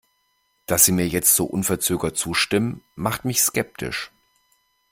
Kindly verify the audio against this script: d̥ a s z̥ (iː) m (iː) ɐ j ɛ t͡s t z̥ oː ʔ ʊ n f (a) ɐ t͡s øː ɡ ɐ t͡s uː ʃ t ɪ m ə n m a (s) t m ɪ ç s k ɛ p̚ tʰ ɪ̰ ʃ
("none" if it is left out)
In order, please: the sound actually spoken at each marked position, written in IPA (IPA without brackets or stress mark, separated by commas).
iː, iː, ɛ, χ